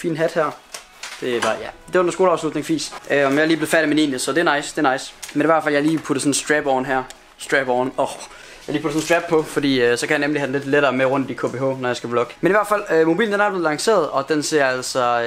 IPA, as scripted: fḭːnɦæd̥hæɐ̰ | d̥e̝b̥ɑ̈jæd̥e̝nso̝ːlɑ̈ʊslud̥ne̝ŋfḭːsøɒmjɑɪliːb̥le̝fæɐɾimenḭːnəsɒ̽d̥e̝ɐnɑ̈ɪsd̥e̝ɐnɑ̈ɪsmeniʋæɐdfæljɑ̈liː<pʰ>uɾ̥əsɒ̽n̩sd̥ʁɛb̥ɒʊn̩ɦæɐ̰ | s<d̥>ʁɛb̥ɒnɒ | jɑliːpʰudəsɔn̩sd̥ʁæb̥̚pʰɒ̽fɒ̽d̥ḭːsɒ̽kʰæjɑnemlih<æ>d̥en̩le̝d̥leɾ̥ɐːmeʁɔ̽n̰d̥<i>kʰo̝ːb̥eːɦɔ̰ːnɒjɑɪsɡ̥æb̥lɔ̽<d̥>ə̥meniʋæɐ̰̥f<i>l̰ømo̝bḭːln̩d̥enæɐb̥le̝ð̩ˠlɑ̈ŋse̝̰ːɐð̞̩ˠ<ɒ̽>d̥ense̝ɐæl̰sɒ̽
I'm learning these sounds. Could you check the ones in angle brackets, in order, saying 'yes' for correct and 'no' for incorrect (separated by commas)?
yes, yes, yes, yes, no, no, yes